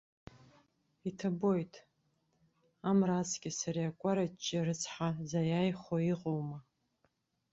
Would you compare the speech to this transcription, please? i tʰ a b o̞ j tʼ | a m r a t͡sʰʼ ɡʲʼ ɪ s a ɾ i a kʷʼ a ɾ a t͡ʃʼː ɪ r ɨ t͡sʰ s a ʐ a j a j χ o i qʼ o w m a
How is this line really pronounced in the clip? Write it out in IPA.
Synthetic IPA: i tʰ a b o̞ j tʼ | a m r a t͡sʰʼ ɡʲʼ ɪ s a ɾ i a kʷʼ a ɾ a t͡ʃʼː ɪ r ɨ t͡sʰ ħ a z a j a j χ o i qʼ o w m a